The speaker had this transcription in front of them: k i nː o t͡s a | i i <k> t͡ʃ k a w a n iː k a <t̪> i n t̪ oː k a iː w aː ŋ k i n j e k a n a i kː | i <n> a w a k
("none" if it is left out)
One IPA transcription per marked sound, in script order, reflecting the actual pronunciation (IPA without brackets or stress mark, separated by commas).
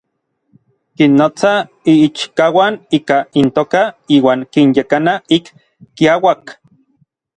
none, none, none